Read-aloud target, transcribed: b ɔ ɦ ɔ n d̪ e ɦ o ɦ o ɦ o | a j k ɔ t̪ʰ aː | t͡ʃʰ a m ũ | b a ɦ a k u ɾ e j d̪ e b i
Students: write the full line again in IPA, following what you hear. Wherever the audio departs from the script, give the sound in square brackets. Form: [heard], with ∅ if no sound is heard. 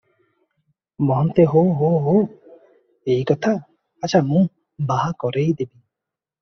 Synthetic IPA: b ɔ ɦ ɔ n [t̪] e ɦ o ɦ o ɦ o | [e] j k ɔ t̪ʰ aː | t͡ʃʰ a m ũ | b a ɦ a k [ɔ] ɾ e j d̪ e b i